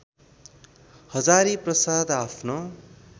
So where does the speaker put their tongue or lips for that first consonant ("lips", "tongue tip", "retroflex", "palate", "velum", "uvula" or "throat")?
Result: throat